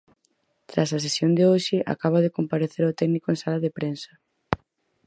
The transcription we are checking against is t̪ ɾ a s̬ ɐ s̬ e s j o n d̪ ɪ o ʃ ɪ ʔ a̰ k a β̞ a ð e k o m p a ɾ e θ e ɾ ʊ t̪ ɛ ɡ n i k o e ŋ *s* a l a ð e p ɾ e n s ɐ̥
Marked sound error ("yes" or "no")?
no